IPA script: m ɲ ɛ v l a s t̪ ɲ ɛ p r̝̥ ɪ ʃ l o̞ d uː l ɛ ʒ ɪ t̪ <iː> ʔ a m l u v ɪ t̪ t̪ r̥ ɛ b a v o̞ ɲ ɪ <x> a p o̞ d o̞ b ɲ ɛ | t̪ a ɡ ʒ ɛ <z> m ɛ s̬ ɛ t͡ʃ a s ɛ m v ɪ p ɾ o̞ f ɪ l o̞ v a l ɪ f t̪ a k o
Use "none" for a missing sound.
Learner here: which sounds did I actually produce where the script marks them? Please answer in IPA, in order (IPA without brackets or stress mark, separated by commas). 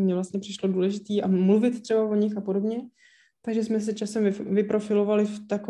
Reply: iː, x, s